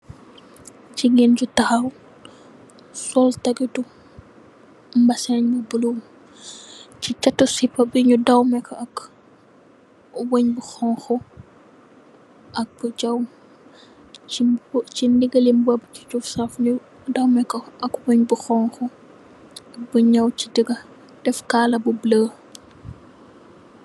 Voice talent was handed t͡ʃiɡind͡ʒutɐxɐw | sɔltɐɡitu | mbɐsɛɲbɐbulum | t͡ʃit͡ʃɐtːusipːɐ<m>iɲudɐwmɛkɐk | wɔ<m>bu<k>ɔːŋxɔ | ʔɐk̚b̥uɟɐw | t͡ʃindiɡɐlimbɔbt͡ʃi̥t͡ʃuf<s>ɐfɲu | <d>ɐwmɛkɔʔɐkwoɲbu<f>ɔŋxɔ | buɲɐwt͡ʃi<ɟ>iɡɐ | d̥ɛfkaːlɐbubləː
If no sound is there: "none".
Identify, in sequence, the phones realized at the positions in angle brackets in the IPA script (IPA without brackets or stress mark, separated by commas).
b, ɲ, x, s, d, x, d